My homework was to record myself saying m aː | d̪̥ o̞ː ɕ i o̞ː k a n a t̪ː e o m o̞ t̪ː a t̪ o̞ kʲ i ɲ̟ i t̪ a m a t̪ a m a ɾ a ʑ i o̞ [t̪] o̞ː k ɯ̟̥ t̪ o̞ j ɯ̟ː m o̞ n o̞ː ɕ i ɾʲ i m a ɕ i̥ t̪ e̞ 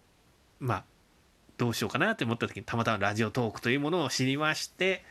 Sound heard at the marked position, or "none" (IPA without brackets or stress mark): t̪